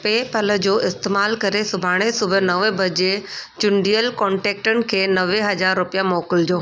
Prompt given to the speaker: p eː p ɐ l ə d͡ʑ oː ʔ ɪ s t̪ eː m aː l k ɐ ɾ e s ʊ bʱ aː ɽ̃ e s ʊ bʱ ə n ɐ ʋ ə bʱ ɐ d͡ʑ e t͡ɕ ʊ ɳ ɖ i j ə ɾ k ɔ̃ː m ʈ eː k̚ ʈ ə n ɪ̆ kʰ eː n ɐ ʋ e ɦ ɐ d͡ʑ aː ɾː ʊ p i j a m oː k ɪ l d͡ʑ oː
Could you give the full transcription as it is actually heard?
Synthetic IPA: p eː p ɐ l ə d͡ʑ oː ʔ ɪ s t̪ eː m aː l k ɐ ɾ e s ʊ bʱ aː ɽ̃ e s ʊ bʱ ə n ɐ ʋ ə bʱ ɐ d͡ʑ e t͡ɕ ʊ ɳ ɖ i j ə l k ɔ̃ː ɳ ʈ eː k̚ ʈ ə n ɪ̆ kʰ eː n ɐ ʋ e ɦ ɐ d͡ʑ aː ɾː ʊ p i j a m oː k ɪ l d͡ʑ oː

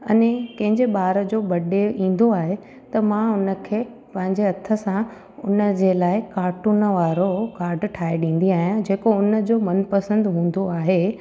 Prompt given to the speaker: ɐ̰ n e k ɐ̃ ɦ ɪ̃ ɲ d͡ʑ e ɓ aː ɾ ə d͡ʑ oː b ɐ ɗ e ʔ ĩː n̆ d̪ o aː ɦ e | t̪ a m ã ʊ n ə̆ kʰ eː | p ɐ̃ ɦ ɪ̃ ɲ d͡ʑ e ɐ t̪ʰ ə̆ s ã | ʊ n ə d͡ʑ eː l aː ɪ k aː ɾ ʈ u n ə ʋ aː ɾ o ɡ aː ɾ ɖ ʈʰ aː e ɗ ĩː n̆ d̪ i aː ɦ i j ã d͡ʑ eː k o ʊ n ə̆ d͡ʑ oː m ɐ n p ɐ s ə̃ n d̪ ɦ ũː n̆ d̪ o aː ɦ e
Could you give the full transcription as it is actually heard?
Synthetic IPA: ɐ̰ n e k ɐ̃ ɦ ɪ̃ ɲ d͡ʑ e ɓ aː ɾ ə d͡ʑ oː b ɐ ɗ e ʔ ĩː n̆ d̪ o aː ɦ e | t̪ ɐ m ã ʊ n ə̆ kʰ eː | p ɐ̃ ɦ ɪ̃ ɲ d͡ʑ e ɐ t̪ʰ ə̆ s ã | ʊ n ə d͡ʑ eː l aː ɪ k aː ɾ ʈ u n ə ʋ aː ɾ o k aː ɾ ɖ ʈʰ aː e ɗ ĩː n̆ d̪ i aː ɦ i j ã d͡ʑ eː k o ʊ n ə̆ d͡ʑ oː m ɐ n p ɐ s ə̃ n d̪ ɦ ũː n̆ d̪ o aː ɦ e

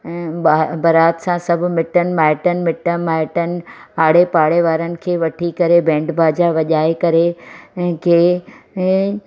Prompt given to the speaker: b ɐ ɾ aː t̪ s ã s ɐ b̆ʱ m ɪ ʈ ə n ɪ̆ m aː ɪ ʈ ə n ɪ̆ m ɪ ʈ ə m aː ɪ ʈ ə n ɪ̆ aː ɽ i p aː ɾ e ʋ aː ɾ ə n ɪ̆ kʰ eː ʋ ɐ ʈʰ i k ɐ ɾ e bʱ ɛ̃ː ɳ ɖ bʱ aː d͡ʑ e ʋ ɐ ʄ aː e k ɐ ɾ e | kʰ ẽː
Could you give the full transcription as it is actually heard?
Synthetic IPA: b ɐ ɾ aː t̪ s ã s ɐ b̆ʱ m ɪ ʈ ə n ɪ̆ m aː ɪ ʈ ə n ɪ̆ m ɪ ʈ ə m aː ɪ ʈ ə n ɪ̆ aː ɽ e p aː ɽ e ʋ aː ɾ ə n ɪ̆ kʰ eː ʋ ɐ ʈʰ i k ɐ ɾ e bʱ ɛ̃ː ɳ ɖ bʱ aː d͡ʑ a ʋ ɐ ʄ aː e k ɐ ɾ e | kʰ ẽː

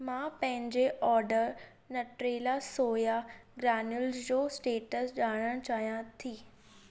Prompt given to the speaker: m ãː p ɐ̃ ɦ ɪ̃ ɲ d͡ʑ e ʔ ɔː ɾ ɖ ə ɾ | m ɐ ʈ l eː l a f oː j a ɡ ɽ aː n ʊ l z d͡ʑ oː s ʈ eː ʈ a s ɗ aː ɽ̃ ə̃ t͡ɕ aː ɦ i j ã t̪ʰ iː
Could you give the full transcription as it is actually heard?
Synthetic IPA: m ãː p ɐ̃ ɦ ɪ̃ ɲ d͡ʑ e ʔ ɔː ɾ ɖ ə ɾ | n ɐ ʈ ɾ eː l a s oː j a ɡ ɾ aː n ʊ l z d͡ʑ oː s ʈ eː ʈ ə s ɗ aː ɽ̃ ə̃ t͡ɕ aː ɦ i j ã t̪ʰ iː

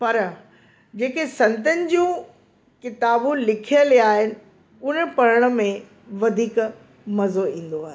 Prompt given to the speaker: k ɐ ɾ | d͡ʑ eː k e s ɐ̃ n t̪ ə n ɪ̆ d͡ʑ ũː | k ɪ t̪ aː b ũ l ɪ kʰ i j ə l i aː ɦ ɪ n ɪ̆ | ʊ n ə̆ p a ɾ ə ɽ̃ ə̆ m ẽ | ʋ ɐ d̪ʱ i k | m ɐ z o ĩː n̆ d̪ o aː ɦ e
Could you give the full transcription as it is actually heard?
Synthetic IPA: p ɐ ɾ | d͡ʑ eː k e s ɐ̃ n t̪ ə n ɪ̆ d͡ʑ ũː | k ɪ t̪ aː b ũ l ɪ kʰ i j ə l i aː ɦ ɪ n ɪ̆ | ʊ n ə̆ p ɐ ɾ ə ɽ̃ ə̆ m ẽ | ʋ ɐ d̪ʱ iː k | m ɐ z o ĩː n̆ d̪ o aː ɦ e

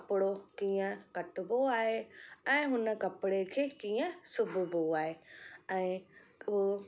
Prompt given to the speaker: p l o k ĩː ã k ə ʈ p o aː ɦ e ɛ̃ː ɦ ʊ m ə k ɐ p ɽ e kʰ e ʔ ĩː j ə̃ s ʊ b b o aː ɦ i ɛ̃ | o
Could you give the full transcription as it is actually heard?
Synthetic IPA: p ɽ o k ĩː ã k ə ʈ b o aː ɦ e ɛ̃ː ɦ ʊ n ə k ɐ p ɽ e kʰ e k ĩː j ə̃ s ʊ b b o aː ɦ e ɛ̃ | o

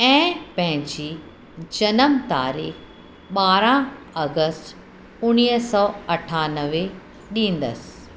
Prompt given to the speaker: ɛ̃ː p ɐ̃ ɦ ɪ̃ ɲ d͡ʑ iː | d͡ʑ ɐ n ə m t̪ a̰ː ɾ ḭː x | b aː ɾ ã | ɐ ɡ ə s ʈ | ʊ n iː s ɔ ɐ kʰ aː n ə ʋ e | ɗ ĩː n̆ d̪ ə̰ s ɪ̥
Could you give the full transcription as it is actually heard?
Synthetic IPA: ɛ̃ː p ɐ̃ ɦ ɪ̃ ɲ d͡ʑ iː | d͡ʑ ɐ n ə m t̪ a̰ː ɾ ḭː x | ɓ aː ɾ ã | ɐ ɡ ə s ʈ | ʊ n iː s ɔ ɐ ʈʰ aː n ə ʋ e | ɗ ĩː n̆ d̪ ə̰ s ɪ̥

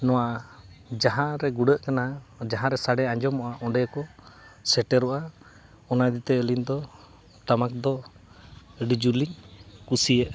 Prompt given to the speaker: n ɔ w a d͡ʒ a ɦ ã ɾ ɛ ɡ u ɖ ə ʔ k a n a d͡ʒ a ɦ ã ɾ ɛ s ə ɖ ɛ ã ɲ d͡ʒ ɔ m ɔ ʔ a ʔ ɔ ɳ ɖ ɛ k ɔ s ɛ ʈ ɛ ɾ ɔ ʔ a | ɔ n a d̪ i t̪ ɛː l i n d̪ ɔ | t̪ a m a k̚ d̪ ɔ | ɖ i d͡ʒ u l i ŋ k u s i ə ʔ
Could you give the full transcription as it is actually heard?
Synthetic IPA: n ɔ w a d͡ʒ a ɦ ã ɾ ɛ ɡ u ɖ ə ʔ k a n a d͡ʒ a ɦ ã ɾ ɛ s a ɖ ɛ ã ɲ d͡ʒ ɔ m ɔ ʔ a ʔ ɔ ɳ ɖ ɛ k ɔ s ɛ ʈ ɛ ɾ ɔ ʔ a | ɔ n a d̪ i t̪ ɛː l i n d̪ ɔ | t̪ a m a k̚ d̪ ɔ | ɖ i d͡ʒ u l i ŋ k u s i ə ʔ

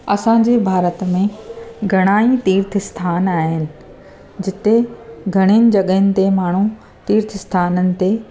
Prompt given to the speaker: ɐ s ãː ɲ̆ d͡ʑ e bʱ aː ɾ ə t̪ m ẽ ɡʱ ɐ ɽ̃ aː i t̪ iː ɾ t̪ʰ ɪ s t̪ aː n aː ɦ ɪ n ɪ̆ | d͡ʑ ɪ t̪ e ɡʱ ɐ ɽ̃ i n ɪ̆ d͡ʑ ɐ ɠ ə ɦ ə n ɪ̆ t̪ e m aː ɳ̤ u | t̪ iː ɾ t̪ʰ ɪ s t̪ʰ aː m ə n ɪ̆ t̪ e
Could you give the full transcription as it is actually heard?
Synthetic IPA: ɐ s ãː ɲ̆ d͡ʑ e bʱ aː ɾ ə t̪ m ẽ ɡʱ ɐ ɽ̃ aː i t̪ iː ɾ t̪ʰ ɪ s t̪ʰ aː n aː ɦ ɪ n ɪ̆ | d͡ʑ ɪ t̪ e ɡʱ ɐ ɽ̃ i n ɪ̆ d͡ʑ ɐ ɠ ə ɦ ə n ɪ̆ t̪ e m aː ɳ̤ u | t̪ iː ɾ t̪ʰ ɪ s t̪ʰ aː n ə n ɪ̆ t̪ e

